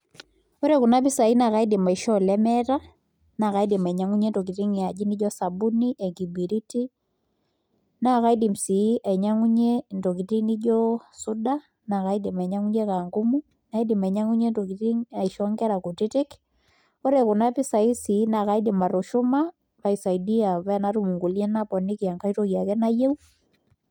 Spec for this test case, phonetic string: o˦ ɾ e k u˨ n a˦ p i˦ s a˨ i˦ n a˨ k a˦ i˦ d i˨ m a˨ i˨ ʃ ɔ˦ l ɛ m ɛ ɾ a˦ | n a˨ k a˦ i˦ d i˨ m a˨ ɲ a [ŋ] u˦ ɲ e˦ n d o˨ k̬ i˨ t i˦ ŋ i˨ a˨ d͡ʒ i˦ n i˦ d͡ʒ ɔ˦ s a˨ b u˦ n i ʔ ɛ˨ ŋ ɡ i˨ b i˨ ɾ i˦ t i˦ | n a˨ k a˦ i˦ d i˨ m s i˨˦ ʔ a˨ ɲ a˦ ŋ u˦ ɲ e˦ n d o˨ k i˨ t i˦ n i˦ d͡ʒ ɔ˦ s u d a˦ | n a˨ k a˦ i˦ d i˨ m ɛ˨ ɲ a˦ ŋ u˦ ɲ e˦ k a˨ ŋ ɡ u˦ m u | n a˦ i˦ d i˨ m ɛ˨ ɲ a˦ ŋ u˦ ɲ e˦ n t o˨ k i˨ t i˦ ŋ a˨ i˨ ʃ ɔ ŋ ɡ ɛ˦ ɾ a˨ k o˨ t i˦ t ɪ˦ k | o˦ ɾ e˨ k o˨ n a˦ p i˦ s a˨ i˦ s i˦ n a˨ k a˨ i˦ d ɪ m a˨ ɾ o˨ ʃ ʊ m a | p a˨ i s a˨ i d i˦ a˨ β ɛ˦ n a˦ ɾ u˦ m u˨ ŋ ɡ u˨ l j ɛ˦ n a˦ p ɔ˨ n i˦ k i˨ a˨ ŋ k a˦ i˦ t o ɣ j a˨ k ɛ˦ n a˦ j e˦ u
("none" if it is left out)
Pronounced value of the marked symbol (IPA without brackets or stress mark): ŋ